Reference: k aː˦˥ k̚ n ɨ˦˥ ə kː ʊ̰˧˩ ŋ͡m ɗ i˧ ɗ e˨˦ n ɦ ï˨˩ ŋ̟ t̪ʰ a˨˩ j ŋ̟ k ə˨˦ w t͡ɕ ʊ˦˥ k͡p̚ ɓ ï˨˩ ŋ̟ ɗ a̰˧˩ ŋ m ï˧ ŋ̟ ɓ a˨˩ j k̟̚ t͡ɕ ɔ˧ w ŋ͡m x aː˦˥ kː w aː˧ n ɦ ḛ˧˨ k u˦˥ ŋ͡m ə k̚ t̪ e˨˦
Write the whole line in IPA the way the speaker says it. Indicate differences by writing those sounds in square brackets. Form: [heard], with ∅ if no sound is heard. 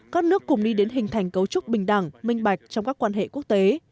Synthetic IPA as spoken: k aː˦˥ k̚ n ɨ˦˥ ə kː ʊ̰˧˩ ŋ͡m ɗ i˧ ɗ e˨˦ n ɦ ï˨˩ ŋ̟ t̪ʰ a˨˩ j ŋ̟ k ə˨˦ w t͡ɕ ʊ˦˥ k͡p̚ ɓ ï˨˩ ŋ̟ ɗ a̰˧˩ ŋ m ï˧ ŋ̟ ɓ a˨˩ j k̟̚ t͡ɕ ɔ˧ w ŋ͡m [k] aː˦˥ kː w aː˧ n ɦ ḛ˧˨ k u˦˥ [∅] ə k̚ t̪ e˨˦